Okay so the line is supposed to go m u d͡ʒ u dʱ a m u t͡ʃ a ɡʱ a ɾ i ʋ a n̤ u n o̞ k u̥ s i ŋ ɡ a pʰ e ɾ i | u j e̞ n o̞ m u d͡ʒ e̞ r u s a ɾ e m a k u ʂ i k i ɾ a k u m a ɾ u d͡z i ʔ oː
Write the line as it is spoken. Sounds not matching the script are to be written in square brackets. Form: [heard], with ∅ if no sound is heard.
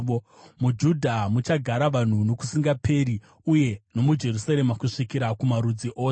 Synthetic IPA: m u d͡ʒ u dʱ a m u t͡ʃ a ɡʱ a ɾ [a] ʋ a n̤ u n o̞ k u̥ s i ŋ ɡ a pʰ e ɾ i | u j e̞ n o̞ m u d͡ʒ e̞ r u s a ɾ e m a k u ʂ i k i ɾ a k u m a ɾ u d͡z i ʔ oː